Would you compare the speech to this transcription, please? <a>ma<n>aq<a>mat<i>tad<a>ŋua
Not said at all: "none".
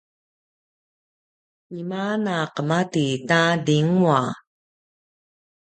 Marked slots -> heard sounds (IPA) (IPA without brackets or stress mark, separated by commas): i, n, ə, i, i